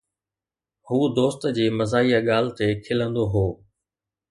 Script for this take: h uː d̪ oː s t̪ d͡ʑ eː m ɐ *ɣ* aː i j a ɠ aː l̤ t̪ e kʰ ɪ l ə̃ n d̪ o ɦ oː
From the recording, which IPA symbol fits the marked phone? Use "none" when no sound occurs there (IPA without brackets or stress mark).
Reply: z